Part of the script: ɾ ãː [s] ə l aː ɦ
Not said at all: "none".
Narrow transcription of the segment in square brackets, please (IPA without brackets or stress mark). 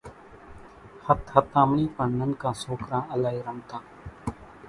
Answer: none